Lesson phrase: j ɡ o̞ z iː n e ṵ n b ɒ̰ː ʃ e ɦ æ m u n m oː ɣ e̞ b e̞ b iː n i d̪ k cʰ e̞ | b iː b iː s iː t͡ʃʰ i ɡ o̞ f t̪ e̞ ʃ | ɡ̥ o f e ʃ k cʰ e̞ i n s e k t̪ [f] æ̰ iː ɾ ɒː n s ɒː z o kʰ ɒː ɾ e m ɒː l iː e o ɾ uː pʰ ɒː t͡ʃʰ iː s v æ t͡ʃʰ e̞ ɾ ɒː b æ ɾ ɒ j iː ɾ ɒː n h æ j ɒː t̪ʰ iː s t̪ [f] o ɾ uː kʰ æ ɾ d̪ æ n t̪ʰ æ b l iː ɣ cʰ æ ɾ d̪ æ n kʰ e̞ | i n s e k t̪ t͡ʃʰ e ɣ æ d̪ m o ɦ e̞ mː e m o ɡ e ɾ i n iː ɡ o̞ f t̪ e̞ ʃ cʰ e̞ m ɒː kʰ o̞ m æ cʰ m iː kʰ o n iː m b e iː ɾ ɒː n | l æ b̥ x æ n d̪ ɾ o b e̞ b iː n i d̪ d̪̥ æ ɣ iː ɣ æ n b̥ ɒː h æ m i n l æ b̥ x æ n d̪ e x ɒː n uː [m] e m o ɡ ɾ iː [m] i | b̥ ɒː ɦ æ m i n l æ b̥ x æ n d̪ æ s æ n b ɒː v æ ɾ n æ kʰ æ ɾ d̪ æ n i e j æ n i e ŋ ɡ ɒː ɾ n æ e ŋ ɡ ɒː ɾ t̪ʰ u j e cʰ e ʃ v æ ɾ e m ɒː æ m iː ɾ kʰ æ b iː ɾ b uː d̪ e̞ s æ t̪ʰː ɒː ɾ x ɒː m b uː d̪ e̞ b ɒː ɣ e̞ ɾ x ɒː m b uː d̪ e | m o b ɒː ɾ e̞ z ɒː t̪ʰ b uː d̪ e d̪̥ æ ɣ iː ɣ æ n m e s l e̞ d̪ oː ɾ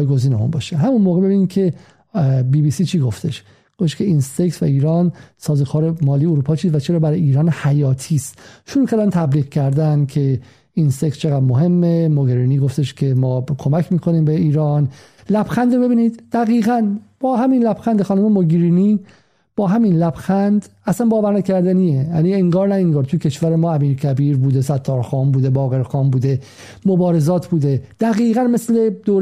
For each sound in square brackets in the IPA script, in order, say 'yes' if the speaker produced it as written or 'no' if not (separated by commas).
no, no, yes, no